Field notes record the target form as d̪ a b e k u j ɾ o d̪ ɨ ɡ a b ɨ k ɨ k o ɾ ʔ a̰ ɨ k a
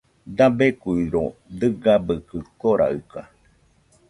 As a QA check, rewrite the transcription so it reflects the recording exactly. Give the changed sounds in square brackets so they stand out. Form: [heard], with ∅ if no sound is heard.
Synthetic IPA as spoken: d̪ a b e k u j ɾ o d̪ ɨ ɡ a b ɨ k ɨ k o ɾ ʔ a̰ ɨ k a